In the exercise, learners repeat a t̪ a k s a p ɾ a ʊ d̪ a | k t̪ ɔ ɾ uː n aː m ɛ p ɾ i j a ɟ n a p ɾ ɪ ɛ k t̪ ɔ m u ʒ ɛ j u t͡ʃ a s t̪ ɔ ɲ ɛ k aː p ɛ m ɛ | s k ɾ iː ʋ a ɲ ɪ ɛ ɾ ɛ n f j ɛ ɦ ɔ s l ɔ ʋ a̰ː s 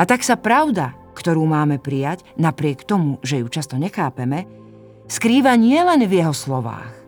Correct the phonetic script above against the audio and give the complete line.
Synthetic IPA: a t̪ a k s a p ɾ a ʊ d̪ a | k t̪ ɔ ɾ uː m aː m ɛ p ɾ i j a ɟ n a p ɾ ɪ ɛ k t̪ ɔ m u ʒ ɛ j u t͡ʃ a s t̪ ɔ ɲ ɛ x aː p ɛ m ɛ | s k ɾ iː ʋ a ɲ ɪ ɛ l ɛ n v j ɛ ɦ ɔ s l ɔ ʋ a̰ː x